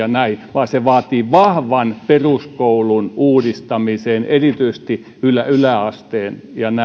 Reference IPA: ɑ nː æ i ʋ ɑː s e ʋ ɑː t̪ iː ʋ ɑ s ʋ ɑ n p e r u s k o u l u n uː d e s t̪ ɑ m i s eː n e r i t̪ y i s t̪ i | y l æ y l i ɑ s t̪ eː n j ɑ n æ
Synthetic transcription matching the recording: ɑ n æ i ʋ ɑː s e ʋ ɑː t̪ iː ʋ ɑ h ʋ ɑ n p e r u s k o u l u n uː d i s t̪ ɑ m i s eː n e r i t̪ y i s t̪ i | y l æ y l æ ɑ s t̪ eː n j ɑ n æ